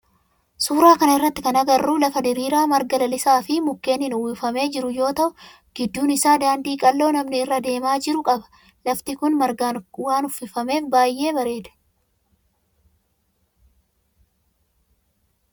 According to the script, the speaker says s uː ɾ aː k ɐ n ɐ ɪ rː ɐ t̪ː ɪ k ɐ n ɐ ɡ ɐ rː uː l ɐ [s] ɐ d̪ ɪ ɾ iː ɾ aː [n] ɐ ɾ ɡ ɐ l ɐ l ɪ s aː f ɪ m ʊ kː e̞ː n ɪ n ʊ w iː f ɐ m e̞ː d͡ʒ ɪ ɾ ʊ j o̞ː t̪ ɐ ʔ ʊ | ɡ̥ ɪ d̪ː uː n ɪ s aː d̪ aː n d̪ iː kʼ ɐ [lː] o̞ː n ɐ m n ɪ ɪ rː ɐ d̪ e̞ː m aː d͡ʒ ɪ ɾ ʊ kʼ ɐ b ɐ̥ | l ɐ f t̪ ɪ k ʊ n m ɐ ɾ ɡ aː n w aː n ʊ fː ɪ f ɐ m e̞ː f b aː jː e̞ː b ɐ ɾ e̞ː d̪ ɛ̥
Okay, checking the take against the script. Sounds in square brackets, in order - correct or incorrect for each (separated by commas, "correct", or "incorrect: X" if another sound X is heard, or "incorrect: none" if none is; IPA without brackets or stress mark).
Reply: incorrect: f, incorrect: m, correct